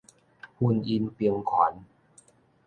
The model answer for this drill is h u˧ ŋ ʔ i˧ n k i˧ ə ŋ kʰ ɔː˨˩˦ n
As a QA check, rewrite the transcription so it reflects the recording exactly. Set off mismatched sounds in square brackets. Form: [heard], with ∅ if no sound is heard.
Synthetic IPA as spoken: h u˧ [n] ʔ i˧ n [p] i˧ ə ŋ kʰ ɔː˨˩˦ n